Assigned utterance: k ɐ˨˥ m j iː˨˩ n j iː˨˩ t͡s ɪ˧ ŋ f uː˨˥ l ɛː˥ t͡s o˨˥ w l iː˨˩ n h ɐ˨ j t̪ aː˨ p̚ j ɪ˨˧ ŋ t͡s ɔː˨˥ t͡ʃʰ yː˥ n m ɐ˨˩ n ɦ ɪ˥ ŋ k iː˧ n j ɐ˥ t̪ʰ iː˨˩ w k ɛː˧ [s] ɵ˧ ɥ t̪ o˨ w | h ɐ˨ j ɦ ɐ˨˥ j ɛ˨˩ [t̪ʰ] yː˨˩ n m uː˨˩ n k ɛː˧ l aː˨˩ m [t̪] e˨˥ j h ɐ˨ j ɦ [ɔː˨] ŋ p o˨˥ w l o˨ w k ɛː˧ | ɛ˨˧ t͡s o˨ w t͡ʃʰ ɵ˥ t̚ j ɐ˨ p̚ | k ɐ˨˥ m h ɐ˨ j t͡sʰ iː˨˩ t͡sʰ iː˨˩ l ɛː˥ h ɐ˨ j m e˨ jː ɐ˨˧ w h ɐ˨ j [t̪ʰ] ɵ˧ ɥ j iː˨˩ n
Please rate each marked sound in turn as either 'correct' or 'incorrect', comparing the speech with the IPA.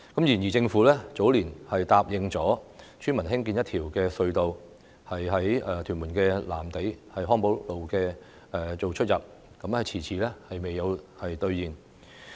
correct, correct, correct, incorrect: ɔː˥, incorrect: t̪

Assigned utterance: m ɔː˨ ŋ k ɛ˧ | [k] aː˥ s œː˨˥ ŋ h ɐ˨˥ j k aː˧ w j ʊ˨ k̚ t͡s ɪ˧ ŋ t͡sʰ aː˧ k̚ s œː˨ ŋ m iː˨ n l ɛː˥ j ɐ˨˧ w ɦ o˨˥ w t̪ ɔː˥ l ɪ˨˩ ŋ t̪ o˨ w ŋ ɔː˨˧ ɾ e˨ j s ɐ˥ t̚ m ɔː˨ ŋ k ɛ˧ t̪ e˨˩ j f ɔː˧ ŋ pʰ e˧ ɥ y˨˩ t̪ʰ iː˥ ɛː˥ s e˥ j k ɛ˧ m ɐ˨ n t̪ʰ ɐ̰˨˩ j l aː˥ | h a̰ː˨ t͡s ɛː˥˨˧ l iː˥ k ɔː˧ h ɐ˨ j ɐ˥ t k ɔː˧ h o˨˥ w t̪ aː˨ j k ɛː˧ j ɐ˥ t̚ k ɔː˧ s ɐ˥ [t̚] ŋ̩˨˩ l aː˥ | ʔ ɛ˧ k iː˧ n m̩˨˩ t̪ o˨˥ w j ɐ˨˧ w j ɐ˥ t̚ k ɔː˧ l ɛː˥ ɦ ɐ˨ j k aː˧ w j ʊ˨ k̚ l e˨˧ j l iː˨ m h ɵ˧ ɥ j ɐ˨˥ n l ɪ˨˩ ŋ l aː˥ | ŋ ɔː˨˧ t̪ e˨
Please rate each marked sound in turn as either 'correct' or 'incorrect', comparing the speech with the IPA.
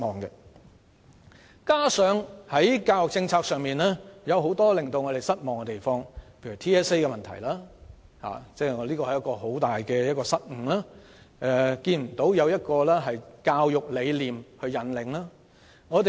correct, correct

